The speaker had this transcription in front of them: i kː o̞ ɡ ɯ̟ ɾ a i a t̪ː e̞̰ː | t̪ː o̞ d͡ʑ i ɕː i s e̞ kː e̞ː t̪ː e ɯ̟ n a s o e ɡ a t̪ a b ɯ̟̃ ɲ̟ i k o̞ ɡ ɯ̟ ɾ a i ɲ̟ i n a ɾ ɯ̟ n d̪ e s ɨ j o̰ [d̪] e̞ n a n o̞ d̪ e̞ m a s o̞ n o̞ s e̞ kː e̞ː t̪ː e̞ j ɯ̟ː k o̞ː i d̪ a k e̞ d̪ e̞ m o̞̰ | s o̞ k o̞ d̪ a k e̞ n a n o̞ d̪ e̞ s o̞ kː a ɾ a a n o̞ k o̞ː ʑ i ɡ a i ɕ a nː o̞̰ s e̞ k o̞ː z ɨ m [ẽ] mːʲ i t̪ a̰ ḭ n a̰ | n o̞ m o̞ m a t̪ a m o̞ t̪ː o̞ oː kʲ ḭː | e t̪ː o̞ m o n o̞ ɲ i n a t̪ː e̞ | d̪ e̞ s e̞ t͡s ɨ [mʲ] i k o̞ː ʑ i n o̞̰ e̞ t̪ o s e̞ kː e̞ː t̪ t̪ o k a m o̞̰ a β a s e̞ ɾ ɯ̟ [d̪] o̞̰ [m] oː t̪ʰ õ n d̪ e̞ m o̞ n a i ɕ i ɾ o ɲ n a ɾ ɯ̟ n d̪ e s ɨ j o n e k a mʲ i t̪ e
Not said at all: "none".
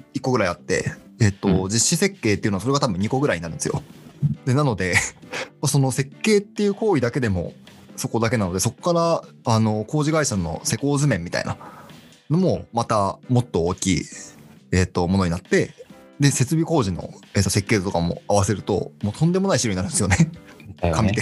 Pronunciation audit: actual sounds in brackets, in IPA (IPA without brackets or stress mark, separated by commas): d̪, ẽ, bʲ, t̪, m